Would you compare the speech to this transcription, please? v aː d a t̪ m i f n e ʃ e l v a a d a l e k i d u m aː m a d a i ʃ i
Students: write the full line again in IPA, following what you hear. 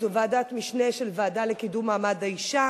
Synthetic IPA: v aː d a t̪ m i ʃ n e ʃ e l v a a d a l e k i d u m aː m a d a i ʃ a